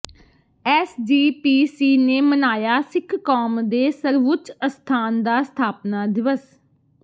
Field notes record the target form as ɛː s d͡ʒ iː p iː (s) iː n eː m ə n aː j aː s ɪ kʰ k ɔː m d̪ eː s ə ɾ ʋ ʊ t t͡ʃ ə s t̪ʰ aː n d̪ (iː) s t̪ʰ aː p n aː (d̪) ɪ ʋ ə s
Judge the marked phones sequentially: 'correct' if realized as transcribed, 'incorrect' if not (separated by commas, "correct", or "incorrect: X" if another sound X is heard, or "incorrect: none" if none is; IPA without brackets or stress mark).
correct, incorrect: aː, correct